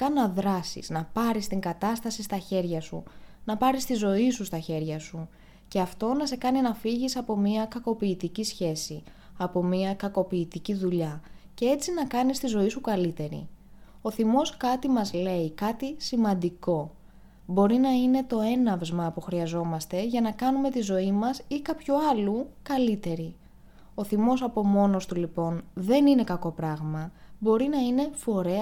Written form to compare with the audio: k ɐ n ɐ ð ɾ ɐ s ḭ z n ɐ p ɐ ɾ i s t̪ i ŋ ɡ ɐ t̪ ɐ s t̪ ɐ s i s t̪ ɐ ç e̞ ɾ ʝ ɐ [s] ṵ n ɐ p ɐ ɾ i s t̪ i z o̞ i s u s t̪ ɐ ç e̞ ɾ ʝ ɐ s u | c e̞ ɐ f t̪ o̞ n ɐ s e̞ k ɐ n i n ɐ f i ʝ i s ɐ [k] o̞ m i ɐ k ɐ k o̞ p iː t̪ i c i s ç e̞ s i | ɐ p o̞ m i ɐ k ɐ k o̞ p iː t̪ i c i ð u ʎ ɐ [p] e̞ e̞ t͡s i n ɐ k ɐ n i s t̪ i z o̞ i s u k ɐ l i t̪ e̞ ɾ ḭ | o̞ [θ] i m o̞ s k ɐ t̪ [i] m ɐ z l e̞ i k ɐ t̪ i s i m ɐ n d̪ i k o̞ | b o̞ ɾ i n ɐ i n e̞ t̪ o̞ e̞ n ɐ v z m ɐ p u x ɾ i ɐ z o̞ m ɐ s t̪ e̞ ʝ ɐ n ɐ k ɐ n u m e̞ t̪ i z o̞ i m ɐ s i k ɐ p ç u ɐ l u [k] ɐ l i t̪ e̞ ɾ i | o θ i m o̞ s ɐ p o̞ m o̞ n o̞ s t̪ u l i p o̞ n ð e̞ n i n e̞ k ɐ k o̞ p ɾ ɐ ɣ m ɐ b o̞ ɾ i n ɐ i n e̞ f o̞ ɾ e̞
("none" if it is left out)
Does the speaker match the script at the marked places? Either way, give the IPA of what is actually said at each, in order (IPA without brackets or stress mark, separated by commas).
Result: s, p, c, θ, i, k